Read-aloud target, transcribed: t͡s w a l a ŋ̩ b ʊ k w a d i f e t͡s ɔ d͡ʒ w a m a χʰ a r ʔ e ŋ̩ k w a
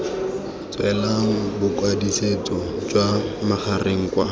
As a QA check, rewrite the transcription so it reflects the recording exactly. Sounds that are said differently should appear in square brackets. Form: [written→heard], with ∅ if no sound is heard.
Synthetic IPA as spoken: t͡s w [a→ɛ] l a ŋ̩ b ʊ k w a d i [f→s] e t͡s ɔ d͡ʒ w a m a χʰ a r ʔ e ŋ̩ k w a